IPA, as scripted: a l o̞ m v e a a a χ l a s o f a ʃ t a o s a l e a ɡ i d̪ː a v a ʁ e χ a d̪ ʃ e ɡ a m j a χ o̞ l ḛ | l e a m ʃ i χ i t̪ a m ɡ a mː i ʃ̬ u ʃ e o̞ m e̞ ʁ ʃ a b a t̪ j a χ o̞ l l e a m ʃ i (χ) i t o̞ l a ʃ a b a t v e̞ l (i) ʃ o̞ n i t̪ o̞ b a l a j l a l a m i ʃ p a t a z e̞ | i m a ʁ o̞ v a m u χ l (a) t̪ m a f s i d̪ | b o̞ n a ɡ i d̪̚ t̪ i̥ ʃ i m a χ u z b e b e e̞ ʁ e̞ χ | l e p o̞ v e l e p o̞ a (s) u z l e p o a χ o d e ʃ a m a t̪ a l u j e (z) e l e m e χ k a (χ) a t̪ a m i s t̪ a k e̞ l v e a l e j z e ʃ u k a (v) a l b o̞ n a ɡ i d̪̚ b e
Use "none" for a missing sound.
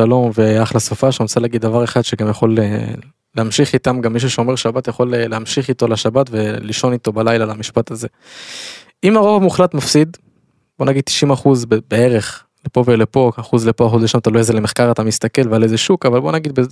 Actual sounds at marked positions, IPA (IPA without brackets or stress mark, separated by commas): χ, i, a, χ, z, ʁ, v